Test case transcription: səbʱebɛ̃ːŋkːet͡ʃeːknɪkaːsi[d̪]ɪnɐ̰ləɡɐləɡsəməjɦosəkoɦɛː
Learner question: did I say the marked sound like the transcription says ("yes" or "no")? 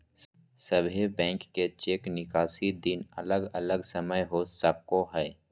yes